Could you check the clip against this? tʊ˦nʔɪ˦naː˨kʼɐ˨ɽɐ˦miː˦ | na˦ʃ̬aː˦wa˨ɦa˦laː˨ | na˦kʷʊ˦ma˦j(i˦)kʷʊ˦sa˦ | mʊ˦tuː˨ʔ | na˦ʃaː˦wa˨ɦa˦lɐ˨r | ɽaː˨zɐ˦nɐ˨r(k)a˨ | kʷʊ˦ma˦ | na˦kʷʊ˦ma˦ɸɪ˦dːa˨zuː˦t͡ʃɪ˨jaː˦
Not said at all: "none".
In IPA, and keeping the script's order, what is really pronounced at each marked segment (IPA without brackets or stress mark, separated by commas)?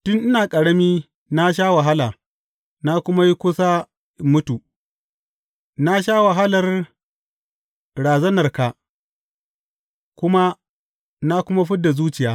i˦, k